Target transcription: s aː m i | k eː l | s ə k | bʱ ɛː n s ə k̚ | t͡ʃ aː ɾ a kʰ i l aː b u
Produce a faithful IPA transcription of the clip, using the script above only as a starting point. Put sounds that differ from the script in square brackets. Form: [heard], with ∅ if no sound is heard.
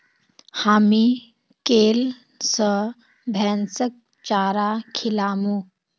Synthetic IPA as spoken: [h] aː m i | k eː l | s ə [∅] | bʱ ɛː n s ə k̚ | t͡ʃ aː ɾ a kʰ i l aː [m] u